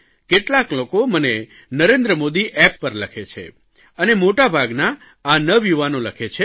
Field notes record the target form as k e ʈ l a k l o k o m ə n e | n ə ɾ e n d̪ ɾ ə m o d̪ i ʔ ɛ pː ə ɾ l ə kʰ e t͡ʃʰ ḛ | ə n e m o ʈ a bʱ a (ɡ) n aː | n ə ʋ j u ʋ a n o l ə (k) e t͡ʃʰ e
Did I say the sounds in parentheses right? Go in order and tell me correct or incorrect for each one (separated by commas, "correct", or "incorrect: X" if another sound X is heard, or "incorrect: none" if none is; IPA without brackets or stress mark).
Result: correct, incorrect: kʰ